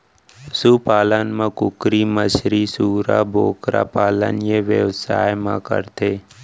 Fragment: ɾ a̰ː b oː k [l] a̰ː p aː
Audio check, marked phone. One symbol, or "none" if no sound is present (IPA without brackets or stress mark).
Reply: ɾ